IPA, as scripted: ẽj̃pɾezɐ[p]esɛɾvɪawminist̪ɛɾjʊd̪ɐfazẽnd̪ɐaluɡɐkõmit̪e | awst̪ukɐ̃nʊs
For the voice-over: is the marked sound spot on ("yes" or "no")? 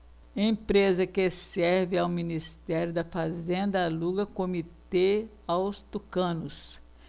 no